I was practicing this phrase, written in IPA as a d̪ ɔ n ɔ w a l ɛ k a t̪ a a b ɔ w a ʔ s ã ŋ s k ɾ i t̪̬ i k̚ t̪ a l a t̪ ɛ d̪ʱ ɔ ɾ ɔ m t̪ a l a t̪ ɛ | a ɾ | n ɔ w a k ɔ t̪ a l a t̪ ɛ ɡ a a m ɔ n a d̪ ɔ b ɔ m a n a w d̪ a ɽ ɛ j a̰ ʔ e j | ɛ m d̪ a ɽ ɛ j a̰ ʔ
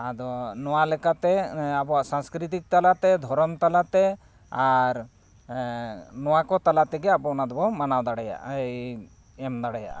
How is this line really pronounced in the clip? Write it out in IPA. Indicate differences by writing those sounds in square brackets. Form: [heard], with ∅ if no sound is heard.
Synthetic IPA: a d̪ ɔ n ɔ w a l ɛ k a t̪ [ɛ] a b ɔ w a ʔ s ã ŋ s k ɾ i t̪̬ i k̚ t̪ a l a t̪ ɛ d̪ʱ ɔ ɾ ɔ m t̪ a l a t̪ ɛ | a ɾ | n ɔ w a k ɔ t̪ a l a t̪ ɛ ɡ [ɛ] a [b] ɔ n a d̪ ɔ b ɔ m a n a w d̪ a ɽ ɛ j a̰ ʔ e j | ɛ m d̪ a ɽ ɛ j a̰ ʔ